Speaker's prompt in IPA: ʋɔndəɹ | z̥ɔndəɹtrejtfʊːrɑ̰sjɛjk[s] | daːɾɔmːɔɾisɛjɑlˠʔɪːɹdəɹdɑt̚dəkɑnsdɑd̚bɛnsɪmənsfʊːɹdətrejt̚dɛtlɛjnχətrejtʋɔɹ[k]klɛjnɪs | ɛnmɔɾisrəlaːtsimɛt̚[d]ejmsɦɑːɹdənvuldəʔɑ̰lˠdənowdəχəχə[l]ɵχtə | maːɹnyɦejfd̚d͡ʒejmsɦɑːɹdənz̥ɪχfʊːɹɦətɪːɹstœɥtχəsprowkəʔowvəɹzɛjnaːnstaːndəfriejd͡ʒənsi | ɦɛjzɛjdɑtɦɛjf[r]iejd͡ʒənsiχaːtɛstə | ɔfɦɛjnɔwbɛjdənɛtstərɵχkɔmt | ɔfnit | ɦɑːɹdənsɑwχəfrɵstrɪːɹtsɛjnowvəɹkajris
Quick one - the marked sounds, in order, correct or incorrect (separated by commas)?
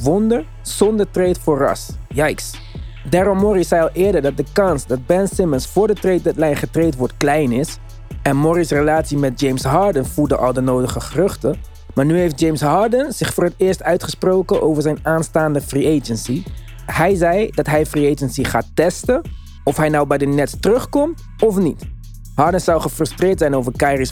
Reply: correct, incorrect, incorrect, incorrect, correct